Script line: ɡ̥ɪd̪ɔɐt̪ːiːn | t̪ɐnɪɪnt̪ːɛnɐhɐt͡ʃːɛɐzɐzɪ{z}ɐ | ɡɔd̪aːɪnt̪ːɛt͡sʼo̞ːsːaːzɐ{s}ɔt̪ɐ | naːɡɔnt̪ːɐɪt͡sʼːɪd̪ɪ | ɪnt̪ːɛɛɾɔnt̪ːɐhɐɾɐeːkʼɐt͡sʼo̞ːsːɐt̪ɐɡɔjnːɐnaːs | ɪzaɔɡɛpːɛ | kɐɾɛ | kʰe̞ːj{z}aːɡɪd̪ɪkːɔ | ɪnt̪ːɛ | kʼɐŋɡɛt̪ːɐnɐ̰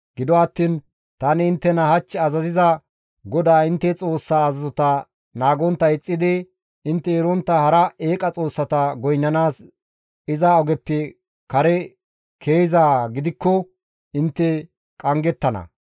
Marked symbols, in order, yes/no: yes, no, yes

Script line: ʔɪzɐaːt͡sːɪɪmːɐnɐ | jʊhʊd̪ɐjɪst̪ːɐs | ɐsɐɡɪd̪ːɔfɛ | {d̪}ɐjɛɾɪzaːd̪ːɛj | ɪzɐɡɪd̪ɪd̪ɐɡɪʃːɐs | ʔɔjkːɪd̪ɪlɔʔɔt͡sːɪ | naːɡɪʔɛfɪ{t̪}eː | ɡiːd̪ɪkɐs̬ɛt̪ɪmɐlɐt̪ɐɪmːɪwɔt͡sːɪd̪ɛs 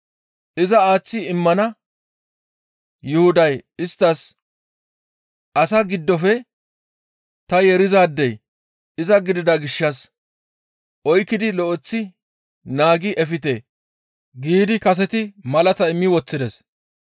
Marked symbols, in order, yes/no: no, yes

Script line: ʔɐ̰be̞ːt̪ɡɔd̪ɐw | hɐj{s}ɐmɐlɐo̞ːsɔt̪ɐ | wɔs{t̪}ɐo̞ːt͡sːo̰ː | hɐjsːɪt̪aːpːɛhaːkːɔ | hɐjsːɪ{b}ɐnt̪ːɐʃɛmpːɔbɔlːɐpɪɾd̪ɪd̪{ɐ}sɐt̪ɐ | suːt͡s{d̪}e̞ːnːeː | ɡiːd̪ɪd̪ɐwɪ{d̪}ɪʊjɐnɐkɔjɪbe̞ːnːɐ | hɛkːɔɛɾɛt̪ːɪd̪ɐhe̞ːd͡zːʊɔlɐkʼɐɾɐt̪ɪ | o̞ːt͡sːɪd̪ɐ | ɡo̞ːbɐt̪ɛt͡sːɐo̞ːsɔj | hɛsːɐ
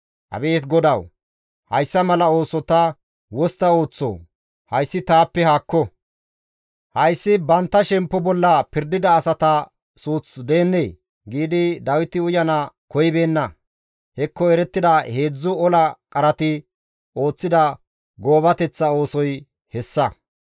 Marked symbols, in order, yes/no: no, yes, yes, no, yes, no

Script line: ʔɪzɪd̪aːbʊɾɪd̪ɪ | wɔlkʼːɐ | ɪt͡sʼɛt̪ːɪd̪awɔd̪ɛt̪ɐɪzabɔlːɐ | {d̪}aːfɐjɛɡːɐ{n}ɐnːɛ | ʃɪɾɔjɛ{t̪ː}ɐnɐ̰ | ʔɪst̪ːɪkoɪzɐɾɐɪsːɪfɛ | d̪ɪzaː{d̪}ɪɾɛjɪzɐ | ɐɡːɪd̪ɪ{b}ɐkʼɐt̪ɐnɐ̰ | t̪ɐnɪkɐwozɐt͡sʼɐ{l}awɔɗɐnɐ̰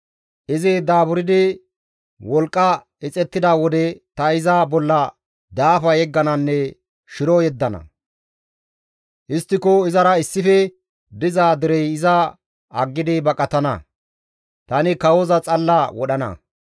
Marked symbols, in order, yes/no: yes, yes, no, yes, yes, no

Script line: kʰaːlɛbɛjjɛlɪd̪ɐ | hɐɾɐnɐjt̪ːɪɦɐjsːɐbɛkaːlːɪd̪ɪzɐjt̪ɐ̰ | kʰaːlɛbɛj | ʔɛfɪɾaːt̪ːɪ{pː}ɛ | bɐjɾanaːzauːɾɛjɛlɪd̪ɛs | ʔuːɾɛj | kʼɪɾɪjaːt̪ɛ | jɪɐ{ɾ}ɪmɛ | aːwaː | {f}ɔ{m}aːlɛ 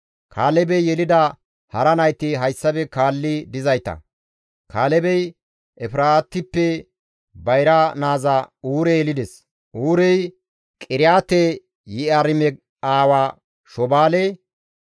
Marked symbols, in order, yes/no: yes, yes, no, no

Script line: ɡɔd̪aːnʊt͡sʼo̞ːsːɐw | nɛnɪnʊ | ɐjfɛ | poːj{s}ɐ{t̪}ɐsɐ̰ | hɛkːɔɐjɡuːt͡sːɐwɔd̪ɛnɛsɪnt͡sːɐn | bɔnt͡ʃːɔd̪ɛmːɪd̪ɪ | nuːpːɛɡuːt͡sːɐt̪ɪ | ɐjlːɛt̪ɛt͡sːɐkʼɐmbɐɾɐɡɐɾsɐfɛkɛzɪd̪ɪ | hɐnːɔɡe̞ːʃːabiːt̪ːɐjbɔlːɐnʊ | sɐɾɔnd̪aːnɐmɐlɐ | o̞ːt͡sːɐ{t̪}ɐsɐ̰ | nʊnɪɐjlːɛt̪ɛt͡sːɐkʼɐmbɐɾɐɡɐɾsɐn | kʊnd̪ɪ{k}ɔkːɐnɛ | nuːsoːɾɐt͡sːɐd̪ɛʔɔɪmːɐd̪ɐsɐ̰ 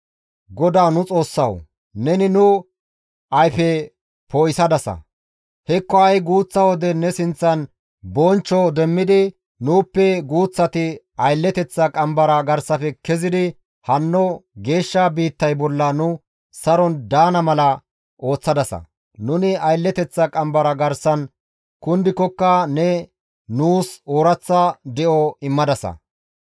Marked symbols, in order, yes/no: yes, no, no, yes

